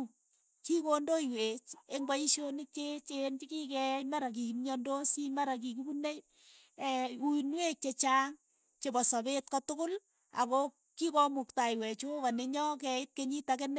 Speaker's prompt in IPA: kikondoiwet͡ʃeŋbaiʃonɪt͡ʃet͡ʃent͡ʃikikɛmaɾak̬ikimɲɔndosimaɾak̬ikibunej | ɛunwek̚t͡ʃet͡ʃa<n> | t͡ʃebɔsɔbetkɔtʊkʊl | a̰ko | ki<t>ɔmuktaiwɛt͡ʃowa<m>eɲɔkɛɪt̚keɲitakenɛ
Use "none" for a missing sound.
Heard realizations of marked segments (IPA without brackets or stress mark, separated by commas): ŋ, k, n